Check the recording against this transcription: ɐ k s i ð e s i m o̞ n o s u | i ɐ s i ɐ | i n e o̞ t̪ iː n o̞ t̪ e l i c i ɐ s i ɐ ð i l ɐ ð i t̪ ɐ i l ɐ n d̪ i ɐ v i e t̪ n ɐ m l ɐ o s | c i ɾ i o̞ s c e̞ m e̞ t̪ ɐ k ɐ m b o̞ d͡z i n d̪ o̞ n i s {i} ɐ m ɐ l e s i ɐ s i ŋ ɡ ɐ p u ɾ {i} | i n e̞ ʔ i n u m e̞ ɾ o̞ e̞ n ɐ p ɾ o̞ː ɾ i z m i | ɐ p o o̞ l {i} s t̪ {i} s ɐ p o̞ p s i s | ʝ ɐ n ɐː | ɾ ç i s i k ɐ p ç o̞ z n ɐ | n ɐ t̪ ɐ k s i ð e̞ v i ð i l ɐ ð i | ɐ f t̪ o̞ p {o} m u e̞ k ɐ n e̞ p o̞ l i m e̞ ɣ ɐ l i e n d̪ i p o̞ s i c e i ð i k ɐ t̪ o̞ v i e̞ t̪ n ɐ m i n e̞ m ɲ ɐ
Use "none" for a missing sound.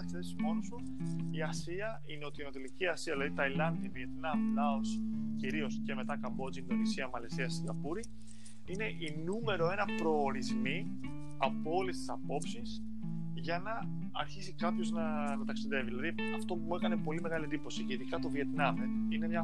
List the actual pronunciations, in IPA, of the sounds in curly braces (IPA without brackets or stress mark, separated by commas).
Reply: i, i, e, i, u